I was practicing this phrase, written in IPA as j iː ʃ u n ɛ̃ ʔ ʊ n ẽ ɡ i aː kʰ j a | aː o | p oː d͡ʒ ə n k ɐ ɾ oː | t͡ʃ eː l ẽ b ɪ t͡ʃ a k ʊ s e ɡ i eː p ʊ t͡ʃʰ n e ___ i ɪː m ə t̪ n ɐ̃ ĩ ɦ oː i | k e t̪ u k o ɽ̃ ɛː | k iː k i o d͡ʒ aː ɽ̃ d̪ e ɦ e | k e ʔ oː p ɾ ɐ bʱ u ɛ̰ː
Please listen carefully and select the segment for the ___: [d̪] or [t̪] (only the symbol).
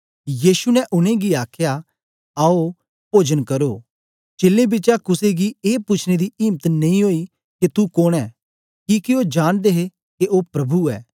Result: d̪